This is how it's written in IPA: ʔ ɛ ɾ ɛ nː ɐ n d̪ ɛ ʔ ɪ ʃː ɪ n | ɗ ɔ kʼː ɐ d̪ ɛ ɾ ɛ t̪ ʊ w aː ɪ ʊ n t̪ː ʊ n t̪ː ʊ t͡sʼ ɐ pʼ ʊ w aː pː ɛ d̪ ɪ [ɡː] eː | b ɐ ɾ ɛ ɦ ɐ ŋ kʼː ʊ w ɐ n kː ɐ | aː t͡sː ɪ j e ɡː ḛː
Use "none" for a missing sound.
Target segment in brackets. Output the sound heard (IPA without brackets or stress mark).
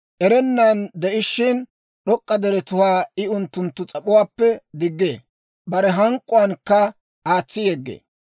ɡː